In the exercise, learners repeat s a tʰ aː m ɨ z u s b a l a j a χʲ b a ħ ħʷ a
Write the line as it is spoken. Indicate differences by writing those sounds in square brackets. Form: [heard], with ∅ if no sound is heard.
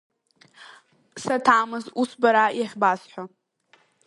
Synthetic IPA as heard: s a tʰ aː m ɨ z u s b a [ɾ] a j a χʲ b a [s] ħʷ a